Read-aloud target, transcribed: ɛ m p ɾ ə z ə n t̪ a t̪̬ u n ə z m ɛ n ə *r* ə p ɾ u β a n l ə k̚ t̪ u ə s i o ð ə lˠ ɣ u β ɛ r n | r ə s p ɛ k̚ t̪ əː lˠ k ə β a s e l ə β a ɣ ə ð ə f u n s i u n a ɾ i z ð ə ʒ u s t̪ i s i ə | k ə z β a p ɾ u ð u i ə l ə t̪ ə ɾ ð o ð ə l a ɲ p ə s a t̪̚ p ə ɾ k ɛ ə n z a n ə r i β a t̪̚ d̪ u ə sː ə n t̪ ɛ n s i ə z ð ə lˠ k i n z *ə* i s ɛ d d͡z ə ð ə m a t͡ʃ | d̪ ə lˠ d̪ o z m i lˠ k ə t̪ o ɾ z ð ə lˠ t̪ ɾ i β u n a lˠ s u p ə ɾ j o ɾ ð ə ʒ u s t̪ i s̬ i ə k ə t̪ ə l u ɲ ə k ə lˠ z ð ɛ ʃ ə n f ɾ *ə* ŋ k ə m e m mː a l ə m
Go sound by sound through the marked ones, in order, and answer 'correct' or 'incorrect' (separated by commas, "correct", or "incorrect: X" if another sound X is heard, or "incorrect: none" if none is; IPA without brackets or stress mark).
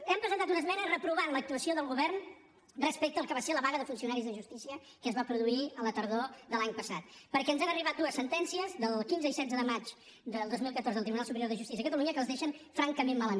correct, correct, incorrect: a